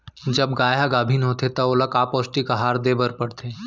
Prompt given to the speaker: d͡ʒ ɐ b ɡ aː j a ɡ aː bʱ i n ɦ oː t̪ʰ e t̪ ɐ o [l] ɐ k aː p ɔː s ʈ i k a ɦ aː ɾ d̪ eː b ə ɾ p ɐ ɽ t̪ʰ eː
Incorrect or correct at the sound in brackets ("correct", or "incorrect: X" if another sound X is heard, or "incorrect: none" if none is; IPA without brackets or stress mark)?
correct